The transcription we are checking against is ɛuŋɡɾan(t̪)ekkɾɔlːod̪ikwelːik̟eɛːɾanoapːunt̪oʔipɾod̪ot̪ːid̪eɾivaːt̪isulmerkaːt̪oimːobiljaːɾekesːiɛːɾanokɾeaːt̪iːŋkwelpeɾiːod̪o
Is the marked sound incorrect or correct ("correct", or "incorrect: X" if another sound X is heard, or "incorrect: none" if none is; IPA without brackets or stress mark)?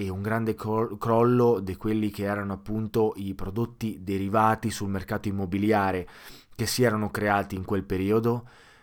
incorrect: d̪